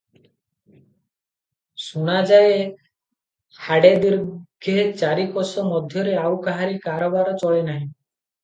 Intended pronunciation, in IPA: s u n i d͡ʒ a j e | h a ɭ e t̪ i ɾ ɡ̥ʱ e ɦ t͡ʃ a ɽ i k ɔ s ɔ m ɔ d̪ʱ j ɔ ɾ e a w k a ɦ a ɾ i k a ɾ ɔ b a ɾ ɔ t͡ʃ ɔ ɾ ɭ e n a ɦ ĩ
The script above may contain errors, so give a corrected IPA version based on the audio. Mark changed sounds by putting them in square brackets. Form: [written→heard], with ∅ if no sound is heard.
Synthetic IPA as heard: s u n [i→a] d͡ʒ a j e | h a [ɭ→ɽ] e [t̪→d̪] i ɾ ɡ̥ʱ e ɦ t͡ʃ a [ɽ→ɾ] i k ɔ s ɔ m ɔ d̪ʱ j ɔ ɾ e a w k a ɦ a ɾ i k a ɾ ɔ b a ɾ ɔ t͡ʃ ɔ [ɾ→∅] ɭ e n a ɦ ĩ